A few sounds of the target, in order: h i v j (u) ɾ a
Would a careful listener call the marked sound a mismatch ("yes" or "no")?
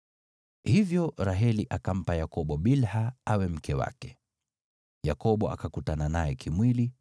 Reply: yes